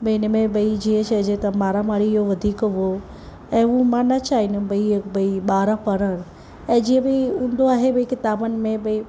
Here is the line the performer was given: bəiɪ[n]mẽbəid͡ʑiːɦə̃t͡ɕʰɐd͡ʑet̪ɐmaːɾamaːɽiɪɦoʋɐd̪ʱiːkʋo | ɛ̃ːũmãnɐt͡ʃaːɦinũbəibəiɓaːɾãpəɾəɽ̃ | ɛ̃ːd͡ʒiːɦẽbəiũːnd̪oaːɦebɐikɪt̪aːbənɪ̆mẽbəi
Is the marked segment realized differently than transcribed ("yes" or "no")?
no